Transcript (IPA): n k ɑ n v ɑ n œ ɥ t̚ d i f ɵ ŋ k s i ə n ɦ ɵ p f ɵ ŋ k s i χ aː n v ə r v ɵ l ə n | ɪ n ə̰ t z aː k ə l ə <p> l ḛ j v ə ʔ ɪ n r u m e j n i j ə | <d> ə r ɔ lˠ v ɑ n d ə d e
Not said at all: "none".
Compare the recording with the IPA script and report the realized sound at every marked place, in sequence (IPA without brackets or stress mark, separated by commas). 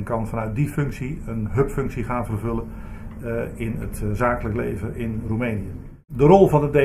k, d